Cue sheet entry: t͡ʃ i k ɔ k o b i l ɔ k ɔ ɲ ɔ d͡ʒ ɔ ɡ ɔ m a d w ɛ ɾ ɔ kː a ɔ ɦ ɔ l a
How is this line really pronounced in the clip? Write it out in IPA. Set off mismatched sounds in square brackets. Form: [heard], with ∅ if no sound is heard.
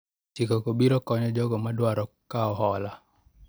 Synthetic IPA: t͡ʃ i k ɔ k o b i [ɾ] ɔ k ɔ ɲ ɔ d͡ʒ ɔ ɡ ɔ m a d w [a] ɾ ɔ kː a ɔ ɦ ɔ l a